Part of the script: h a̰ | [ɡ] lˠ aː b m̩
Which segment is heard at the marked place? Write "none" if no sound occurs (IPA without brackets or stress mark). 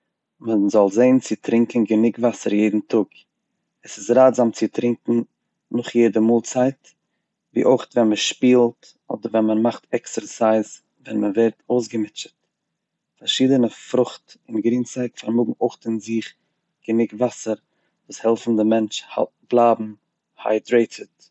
b